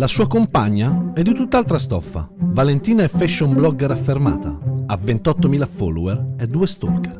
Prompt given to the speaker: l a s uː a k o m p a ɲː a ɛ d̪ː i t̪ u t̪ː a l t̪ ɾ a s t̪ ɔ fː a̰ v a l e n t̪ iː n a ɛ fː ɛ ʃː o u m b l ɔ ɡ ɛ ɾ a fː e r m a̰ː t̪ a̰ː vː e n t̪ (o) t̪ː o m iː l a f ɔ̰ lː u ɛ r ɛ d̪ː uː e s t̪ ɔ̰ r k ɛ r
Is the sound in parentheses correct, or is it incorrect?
incorrect: ɔ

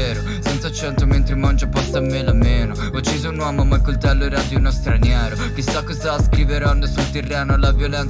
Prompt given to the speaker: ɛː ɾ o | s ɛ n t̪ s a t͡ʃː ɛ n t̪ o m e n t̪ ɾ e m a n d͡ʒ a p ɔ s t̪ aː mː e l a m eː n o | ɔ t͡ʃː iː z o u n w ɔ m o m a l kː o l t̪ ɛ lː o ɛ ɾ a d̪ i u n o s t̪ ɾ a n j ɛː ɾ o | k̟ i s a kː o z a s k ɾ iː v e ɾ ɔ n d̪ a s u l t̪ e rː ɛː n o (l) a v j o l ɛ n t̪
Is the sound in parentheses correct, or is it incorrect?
correct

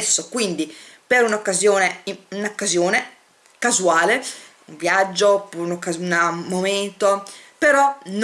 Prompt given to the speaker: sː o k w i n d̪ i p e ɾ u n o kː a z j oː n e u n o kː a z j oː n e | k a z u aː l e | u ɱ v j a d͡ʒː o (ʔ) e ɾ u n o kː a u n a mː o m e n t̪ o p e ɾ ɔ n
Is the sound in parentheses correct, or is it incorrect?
incorrect: p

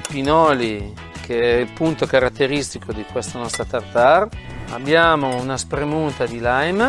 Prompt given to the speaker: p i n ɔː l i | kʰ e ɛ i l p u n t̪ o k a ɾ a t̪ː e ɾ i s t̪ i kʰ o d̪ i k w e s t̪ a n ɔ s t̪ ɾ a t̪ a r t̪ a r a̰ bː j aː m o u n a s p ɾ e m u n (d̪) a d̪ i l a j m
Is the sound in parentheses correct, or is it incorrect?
incorrect: t̪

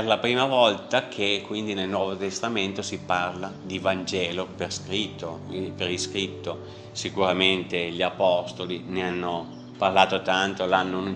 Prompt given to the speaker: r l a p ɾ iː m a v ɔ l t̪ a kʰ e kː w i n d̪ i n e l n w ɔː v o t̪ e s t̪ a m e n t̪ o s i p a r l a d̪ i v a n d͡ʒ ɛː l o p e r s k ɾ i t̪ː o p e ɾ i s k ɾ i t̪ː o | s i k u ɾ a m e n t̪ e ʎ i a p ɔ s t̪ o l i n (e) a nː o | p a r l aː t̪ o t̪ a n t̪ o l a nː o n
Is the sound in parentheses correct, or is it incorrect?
correct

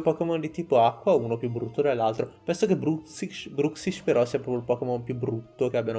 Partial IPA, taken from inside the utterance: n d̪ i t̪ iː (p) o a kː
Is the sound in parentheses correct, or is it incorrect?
correct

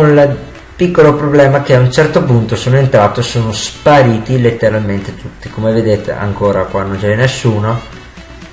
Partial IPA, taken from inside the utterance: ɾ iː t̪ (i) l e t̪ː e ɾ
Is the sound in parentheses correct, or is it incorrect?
correct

